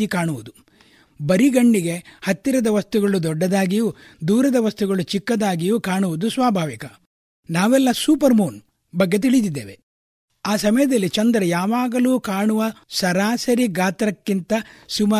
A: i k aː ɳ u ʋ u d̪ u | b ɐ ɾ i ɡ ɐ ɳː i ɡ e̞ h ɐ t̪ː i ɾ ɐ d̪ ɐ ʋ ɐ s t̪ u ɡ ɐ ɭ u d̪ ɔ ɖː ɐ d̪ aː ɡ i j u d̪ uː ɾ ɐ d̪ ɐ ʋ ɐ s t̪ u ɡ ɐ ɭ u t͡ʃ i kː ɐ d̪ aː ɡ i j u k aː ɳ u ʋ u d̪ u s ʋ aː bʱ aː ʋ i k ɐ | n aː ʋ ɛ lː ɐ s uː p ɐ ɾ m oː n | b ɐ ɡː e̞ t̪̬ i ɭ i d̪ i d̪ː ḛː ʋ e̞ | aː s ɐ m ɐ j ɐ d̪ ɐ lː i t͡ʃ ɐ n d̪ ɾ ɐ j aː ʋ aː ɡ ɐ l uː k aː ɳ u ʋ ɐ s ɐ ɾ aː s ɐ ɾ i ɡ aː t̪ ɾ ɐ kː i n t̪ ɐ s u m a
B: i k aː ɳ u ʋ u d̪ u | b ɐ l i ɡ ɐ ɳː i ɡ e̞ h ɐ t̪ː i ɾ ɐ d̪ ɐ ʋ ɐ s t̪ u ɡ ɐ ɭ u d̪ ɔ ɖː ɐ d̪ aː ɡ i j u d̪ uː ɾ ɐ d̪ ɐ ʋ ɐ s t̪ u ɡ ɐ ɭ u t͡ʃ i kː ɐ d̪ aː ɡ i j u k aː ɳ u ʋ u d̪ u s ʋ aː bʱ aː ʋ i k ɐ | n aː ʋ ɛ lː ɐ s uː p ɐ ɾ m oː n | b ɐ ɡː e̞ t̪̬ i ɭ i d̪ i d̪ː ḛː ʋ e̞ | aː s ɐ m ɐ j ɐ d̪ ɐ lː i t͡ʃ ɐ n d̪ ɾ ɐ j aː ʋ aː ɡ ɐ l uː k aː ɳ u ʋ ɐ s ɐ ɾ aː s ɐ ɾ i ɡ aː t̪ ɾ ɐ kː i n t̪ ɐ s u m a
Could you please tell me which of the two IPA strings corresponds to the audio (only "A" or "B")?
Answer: A